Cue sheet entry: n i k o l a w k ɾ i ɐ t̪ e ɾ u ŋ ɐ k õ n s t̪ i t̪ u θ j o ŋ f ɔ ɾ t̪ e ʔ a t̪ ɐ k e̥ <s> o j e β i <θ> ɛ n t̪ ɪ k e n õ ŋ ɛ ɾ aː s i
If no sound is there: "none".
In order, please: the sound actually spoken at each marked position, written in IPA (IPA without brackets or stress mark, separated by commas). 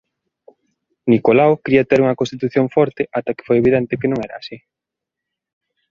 f, ð